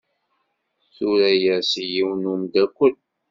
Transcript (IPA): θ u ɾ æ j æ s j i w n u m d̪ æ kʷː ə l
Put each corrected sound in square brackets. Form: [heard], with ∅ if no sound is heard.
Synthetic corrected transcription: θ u ɾ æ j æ s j i w n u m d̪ æ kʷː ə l